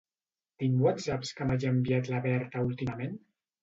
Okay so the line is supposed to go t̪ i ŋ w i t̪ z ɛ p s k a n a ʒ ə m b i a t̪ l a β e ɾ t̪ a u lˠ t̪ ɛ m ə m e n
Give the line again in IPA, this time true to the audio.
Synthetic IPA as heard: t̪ i ŋ w a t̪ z a p s k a m a ʒ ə m b i a t̪ l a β ɛ ɾ t̪ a u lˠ t̪ i m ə m e n